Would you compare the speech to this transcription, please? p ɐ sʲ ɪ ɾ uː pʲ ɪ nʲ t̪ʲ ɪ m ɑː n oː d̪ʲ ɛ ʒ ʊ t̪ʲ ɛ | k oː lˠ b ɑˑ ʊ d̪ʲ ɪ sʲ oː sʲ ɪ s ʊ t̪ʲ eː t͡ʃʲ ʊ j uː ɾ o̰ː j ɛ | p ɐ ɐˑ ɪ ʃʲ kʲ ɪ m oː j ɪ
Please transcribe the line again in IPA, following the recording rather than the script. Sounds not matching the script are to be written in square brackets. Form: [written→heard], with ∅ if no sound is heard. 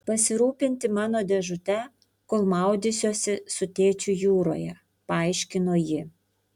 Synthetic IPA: p ɐ sʲ ɪ ɾ uː pʲ ɪ nʲ t̪ʲ ɪ m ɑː n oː d̪ʲ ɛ ʒ ʊ t̪ʲ ɛ | k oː lˠ [b→m] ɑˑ ʊ d̪ʲ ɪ sʲ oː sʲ ɪ s ʊ t̪ʲ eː t͡ʃʲ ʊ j uː ɾ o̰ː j ɛ | p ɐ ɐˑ ɪ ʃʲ kʲ ɪ [m→n] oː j ɪ